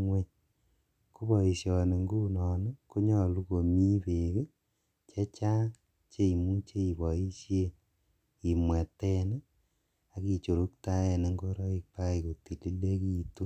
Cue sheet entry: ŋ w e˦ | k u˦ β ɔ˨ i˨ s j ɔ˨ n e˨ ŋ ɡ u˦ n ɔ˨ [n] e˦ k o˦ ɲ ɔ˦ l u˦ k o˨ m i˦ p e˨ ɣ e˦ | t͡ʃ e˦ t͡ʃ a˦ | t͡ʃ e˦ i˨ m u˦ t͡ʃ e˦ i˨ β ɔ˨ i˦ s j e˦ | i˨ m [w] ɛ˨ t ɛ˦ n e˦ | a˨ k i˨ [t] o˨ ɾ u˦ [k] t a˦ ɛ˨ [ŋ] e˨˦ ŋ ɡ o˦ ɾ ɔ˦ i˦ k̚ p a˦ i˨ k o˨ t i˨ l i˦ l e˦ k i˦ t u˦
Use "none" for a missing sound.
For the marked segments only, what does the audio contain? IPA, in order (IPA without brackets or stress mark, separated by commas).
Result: n, w, t͡ʃ, k, n